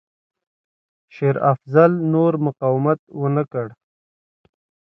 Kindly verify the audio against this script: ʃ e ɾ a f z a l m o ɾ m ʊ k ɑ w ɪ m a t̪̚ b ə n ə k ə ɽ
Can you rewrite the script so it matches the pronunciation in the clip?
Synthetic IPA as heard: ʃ e ɾ a f z a l n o ɾ m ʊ q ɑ w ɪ m a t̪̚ w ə n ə k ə ɽ

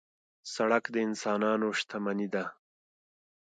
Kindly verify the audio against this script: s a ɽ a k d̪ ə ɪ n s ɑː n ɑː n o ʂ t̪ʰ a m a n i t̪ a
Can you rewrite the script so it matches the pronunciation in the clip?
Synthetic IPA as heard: s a ɽ a k d̪ ə ɪ n s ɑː n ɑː n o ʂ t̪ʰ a m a n i d̪ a

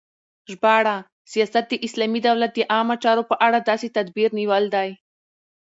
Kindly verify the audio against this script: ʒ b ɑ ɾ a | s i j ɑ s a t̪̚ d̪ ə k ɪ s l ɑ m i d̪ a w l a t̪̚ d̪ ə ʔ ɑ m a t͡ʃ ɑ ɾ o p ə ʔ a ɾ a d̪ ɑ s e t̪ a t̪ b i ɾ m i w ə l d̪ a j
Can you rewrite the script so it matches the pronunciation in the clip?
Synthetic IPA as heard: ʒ b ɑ ɽ a | s i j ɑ s a t̪̚ d̪ ə ʔ ɪ s l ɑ m i d̪ a w l a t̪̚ d̪ ə ʔ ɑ m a t͡ʃ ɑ ɾ o p ə ʔ a ɽ a d̪ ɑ s e t̪ a d̪ b i ɾ n i w ə l d̪ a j

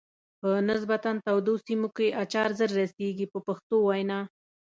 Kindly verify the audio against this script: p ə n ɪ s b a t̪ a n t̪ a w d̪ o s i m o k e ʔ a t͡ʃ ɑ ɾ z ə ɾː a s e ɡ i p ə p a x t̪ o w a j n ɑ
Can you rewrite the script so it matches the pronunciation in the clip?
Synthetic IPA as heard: p ə n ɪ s b a t̪ a n t̪ a w d̪ o s i m o k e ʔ a t͡ʃ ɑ ɾ z ə ɾː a s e ɡ i p ə p a x t̪ o w a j n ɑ

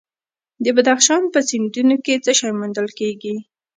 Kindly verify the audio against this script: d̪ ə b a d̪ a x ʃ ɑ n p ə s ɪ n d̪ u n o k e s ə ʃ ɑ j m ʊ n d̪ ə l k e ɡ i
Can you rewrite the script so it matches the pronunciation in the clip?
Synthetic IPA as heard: d̪ ə b a d̪ a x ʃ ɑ n p ə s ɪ n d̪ u n o k e t͡s ə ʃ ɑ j m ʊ n d̪ ə l k e ɡ i

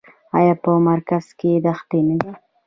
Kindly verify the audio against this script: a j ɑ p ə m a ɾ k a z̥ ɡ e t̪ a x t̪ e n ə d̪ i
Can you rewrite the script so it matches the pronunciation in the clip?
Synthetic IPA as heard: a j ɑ p ə m a ɾ k a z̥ k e d̪ a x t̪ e n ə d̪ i

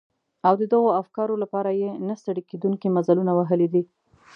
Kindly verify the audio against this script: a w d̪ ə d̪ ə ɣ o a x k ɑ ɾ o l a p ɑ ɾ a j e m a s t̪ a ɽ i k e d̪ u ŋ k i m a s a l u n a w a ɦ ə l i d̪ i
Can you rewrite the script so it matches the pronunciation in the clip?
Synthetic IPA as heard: a w d̪ ə d̪ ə ɣ o a f k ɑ ɾ o l a p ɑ ɾ a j e n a s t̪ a ɽ i k e d̪ u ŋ k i m a z a l u n a w a ɦ ə l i d̪ i

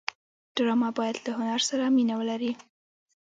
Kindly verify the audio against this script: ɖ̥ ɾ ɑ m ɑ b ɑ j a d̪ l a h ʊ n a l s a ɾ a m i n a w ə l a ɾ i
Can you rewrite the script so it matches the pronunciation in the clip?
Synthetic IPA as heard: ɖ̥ ɾ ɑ m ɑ b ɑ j a d̪ l a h ʊ n a ɾ s a ɾ a m i n a w ə l a ɾ i

